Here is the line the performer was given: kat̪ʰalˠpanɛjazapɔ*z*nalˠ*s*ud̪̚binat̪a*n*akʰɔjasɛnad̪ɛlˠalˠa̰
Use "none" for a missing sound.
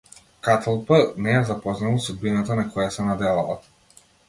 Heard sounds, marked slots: z, s, n

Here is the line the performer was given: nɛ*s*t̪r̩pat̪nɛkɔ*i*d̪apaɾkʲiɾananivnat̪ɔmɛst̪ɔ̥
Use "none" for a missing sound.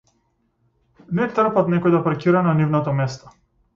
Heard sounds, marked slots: none, j

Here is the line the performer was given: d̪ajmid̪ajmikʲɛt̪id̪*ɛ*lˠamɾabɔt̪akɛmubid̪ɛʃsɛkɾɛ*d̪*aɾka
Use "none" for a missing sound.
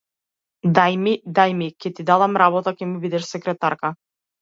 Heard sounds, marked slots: a, t̪

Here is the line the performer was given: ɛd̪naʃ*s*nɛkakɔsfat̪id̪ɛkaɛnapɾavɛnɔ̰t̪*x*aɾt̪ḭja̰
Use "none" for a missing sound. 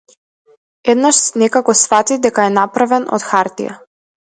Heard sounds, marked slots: s, x

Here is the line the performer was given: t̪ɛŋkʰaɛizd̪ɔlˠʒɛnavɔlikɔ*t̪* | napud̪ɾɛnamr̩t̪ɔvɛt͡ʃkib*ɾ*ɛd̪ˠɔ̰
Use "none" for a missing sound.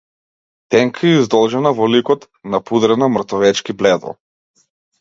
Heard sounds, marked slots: t̪, l

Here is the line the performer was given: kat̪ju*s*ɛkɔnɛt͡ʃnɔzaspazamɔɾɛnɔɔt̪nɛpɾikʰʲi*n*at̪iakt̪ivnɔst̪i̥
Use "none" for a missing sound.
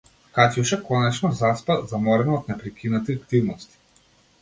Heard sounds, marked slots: ʃ, n

